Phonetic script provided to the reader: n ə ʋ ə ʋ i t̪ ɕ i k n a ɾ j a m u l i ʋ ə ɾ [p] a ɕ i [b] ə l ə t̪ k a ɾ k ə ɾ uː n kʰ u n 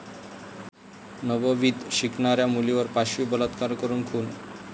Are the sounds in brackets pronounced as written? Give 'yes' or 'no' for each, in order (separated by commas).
yes, yes